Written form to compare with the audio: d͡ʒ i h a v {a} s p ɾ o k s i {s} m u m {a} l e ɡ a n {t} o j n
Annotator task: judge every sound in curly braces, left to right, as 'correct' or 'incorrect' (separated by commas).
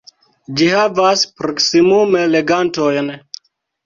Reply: correct, incorrect, incorrect, correct